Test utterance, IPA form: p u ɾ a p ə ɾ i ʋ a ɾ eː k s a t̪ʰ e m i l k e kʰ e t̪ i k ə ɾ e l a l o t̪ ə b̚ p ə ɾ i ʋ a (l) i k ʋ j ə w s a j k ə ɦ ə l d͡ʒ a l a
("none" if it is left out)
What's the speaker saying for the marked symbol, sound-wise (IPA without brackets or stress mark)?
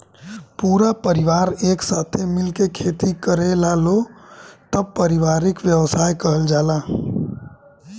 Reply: ɾ